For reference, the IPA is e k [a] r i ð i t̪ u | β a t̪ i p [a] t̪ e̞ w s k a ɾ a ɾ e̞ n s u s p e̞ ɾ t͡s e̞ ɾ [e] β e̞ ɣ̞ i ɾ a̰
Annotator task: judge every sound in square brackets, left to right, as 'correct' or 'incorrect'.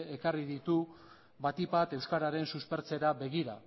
correct, correct, incorrect: a

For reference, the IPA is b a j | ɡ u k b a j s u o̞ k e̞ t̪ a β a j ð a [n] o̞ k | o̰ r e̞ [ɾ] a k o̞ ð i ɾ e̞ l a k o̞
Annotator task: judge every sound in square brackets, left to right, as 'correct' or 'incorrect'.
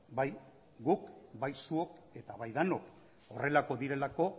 correct, incorrect: l

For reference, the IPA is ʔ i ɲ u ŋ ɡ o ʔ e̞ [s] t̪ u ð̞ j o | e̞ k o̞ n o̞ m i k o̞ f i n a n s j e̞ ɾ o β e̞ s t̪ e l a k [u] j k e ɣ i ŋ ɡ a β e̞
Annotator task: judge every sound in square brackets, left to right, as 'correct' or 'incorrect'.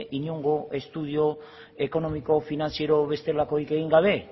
correct, incorrect: o

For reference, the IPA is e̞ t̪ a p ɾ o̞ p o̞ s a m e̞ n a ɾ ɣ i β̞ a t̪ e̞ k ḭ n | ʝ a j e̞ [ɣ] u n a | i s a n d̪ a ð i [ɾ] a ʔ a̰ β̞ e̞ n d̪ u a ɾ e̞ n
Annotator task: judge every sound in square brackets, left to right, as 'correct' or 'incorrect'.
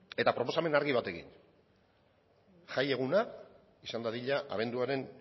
correct, incorrect: ʎ

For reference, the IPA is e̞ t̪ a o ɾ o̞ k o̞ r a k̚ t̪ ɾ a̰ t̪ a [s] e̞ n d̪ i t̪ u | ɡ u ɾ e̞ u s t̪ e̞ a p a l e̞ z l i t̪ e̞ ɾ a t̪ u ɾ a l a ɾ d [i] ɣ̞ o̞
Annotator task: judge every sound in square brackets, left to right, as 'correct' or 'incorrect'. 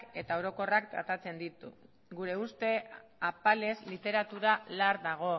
incorrect: t͡s, incorrect: a

